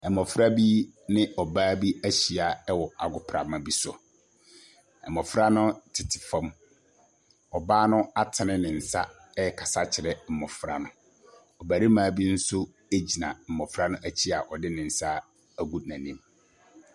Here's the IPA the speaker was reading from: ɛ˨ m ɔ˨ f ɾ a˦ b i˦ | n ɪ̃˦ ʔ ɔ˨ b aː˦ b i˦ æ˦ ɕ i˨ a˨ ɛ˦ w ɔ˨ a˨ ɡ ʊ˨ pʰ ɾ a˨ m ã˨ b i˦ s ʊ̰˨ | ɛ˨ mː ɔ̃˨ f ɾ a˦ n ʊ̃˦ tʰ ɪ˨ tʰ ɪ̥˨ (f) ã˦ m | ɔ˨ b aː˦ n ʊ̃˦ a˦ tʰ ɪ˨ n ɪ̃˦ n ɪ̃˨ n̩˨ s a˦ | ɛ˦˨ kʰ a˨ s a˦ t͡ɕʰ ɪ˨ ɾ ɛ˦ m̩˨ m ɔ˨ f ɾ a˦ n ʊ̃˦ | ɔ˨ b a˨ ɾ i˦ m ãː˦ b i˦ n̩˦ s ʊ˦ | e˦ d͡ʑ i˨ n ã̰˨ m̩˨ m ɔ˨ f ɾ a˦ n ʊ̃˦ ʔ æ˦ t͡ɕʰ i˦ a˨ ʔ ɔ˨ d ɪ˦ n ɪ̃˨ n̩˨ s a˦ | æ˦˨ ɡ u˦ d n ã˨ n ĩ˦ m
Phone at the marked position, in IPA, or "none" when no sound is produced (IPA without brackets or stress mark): f